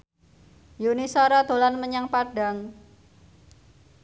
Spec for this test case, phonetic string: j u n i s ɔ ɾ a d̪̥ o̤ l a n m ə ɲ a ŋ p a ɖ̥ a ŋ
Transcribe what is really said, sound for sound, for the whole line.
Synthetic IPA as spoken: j u n i s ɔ ɾ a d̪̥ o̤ l a n m ə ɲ a ŋ p a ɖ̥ a ŋ